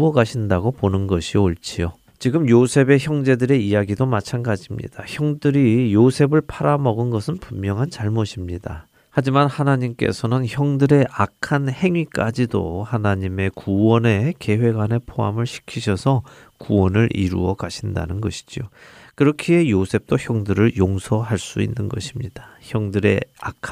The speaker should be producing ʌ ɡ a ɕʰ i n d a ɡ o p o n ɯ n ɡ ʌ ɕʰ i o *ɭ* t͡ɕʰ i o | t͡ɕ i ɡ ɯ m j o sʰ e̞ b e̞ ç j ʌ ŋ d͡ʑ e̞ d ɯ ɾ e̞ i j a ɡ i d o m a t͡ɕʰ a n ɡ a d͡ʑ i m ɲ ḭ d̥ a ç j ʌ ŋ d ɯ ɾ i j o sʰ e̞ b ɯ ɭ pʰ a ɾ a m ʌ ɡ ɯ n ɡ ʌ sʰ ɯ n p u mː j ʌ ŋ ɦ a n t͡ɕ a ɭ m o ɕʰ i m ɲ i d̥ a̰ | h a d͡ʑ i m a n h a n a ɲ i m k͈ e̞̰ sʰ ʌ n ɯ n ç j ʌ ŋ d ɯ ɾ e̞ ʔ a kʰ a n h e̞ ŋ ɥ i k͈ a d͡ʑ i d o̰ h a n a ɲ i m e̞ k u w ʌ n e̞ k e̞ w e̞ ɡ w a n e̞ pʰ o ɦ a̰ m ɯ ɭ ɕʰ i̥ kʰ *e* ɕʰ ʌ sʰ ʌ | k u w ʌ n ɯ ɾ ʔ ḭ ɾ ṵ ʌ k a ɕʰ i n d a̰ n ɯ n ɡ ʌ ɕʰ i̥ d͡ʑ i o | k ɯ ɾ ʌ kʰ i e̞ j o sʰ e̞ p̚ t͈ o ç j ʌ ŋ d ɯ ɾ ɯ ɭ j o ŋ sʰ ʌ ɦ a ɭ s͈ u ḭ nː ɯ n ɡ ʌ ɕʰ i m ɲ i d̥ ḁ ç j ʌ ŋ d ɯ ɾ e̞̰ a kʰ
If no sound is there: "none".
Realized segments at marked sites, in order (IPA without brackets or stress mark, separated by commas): ɭ, i